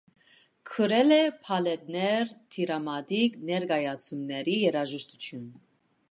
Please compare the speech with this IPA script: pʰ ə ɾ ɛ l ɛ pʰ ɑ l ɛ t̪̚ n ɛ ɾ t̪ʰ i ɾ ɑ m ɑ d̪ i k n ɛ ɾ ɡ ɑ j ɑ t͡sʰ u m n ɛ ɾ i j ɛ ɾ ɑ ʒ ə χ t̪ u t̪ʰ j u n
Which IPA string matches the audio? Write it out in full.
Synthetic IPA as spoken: kʰ ə ɾ ɛ l ɛ pʰ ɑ l ɛ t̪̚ n ɛ ɾ t̪ʰ i ɾ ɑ m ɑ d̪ i k n ɛ ɾ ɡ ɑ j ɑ t͡sʰ u m n ɛ ɾ i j ɛ ɾ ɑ ʒ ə ʃ t̪ u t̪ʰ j u n